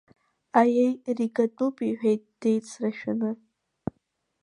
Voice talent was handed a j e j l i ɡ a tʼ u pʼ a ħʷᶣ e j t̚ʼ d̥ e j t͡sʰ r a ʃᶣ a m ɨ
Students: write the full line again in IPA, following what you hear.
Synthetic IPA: a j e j r i ɡ a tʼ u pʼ i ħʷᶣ e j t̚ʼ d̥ e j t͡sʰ r a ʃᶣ a n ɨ